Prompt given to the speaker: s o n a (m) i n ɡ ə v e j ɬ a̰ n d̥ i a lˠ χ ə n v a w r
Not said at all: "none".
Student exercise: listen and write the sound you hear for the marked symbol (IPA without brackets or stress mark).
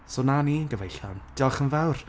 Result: n